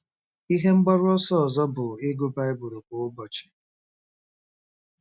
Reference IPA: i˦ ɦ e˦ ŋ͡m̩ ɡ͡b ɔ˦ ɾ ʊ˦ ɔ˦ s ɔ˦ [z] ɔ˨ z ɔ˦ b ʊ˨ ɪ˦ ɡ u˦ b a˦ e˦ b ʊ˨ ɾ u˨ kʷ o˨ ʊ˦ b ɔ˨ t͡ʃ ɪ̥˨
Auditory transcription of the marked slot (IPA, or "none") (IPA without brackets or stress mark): none